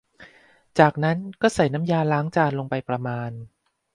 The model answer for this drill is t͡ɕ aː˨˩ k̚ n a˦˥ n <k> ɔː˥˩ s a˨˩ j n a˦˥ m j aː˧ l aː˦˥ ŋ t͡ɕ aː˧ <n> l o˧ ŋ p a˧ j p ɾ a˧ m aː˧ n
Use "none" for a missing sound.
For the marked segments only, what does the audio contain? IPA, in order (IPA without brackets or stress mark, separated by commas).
k, n